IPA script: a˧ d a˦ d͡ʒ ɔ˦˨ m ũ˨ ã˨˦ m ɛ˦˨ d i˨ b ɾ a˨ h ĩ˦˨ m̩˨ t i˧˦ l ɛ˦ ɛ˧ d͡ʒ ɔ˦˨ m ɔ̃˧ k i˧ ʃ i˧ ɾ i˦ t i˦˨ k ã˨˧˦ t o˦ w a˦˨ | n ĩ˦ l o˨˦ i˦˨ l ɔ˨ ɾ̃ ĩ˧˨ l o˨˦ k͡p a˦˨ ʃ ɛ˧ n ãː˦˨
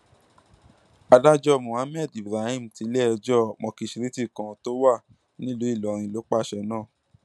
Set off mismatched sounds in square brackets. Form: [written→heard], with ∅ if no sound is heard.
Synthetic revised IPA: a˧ d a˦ d͡ʒ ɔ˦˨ m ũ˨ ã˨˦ m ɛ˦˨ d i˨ b ɾ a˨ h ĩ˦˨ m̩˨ t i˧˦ l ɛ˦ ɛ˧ d͡ʒ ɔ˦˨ m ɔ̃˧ k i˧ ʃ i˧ ɾ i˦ t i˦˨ k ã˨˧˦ t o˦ w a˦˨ | n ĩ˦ l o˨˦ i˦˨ l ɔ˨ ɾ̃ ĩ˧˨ l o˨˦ k͡p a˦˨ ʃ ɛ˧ n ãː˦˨